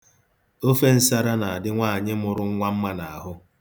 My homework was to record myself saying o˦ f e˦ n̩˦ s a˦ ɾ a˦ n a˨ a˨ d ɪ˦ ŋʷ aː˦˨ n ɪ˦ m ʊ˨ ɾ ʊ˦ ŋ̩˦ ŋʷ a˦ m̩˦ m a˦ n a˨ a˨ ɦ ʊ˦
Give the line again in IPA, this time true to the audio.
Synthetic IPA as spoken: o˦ f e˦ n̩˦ s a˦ ɾ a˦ n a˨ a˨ d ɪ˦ ŋʷ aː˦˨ ɲ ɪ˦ m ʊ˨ ɾ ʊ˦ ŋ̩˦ ŋʷ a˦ m̩˦ m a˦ n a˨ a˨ ɦ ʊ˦